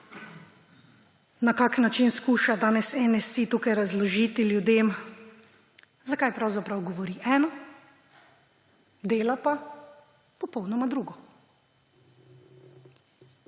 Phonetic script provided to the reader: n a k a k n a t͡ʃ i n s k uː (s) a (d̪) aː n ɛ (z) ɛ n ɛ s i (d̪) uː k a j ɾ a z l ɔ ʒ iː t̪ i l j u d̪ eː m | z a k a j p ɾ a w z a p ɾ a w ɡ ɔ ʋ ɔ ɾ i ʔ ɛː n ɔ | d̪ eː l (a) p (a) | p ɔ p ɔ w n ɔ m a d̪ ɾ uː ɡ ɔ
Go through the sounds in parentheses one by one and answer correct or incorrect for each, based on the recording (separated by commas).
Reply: incorrect, correct, incorrect, incorrect, correct, correct